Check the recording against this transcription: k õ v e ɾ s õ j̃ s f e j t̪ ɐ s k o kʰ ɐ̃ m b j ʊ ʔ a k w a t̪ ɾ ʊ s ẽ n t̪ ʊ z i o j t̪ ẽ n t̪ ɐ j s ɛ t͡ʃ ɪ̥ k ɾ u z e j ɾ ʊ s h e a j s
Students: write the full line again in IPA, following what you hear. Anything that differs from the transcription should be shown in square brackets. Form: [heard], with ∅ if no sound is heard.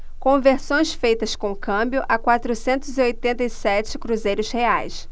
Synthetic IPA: k õ v e ɾ s õ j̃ s f e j t̪ ɐ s k [õ] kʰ ɐ̃ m b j ʊ ʔ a k w a t̪ ɾ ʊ s ẽ n t̪ ʊ z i o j t̪ ẽ n t̪ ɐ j s ɛ t͡ʃ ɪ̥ k ɾ u z e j ɾ ʊ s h e a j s